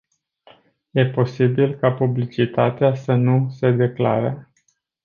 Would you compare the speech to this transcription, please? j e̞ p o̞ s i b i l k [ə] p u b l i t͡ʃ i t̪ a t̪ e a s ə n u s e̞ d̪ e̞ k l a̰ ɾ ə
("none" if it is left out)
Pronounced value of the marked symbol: a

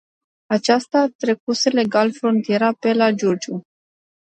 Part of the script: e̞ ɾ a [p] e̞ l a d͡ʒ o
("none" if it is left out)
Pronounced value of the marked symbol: p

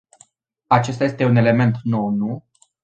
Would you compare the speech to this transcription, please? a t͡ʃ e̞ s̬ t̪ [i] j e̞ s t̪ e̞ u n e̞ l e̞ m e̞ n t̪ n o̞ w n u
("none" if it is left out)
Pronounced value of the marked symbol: a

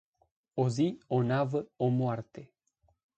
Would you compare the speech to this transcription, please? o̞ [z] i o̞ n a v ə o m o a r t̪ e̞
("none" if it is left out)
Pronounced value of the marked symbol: z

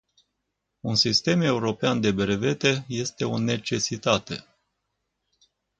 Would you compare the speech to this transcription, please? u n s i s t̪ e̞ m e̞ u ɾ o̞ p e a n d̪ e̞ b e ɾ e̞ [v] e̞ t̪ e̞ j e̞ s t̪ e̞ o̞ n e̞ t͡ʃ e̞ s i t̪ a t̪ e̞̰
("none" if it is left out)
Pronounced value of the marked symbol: v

